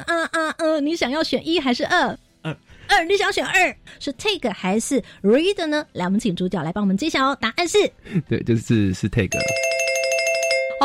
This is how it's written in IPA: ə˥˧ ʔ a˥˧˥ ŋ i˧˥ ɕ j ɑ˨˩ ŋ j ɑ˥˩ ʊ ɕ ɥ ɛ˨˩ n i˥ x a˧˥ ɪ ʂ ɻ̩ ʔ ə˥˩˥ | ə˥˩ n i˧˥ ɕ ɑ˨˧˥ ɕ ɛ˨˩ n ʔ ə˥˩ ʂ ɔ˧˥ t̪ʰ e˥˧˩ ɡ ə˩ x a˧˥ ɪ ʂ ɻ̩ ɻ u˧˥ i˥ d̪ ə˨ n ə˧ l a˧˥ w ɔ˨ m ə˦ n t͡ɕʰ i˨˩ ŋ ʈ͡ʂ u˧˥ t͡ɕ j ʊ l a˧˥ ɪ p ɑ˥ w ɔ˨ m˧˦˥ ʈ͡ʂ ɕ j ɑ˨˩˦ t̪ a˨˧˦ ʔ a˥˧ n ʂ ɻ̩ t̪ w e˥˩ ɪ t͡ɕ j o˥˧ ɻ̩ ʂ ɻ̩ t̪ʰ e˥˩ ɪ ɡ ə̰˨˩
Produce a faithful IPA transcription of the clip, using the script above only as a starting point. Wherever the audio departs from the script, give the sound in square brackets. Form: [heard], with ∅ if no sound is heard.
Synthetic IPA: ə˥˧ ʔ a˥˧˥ [n] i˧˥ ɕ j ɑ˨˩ ŋ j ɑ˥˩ ʊ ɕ ɥ ɛ˨˩ n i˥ x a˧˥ ɪ ʂ ɻ̩ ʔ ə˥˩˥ | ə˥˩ n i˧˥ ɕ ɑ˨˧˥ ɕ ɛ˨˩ n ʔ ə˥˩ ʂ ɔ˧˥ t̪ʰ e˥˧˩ ɡ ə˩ x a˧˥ ɪ ʂ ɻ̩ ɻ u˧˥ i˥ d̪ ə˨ n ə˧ l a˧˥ w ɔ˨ m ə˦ n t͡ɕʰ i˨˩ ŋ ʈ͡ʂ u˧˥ t͡ɕ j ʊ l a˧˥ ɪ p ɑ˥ w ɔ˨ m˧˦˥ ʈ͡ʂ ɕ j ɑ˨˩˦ t̪ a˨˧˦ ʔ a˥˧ n ʂ ɻ̩ t̪ w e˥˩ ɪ t͡ɕ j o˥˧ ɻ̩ ʂ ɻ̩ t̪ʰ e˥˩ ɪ ɡ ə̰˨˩